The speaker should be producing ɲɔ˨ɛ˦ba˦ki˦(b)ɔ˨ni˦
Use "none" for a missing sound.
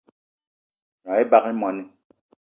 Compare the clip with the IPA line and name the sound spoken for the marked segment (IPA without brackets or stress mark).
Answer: m